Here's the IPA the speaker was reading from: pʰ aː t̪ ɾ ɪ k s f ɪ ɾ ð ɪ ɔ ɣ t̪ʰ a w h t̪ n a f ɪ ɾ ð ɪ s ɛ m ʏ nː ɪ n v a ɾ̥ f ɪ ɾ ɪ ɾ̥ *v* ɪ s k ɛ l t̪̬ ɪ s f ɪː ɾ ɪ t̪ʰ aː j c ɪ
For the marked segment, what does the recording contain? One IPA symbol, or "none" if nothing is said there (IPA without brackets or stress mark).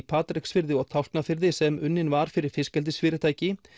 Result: f